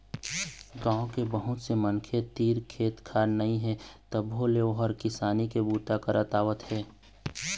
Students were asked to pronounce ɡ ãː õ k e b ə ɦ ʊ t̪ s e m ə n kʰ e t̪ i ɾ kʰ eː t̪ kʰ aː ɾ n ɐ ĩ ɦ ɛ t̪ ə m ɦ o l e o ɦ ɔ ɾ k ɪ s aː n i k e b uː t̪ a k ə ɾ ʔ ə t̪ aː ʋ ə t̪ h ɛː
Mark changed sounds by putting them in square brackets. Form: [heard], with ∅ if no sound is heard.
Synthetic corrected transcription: ɡ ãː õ k e b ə ɦ ʊ t̪ s e m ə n kʰ e t̪ [iː] ɾ kʰ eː t̪ kʰ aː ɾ n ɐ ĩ ɦ ɛ t̪ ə [b] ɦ o l e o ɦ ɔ ɾ k ɪ s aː n i k e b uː t̪ a k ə ɾ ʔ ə t̪ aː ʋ ə t̪ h ɛː